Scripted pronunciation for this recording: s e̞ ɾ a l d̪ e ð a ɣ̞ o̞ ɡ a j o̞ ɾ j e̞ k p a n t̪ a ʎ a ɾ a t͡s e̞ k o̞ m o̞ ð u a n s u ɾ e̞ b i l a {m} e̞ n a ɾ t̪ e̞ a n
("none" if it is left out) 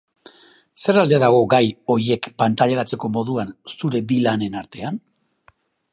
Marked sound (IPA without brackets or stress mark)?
n